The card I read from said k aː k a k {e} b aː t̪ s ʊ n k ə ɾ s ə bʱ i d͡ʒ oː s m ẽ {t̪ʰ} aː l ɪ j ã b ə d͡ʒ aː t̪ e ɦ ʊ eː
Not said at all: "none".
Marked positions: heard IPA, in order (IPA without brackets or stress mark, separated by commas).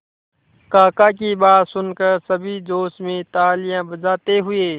i, t̪